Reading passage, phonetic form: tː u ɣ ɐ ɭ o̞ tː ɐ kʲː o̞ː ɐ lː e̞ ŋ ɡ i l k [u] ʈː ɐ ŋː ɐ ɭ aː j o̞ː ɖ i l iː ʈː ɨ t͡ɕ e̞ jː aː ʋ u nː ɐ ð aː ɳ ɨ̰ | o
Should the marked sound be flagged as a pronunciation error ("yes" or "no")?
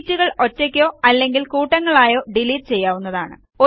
yes